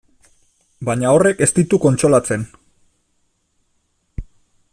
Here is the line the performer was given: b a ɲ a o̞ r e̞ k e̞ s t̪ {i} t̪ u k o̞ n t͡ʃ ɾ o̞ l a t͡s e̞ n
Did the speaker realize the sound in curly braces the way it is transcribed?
yes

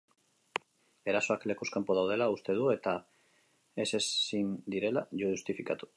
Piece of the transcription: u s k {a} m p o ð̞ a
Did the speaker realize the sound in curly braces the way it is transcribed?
yes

